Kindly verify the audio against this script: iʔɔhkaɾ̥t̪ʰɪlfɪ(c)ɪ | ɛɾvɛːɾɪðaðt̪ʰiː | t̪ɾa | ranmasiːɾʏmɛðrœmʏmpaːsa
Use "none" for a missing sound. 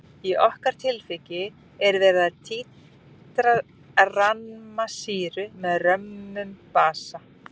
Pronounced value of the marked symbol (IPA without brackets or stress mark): c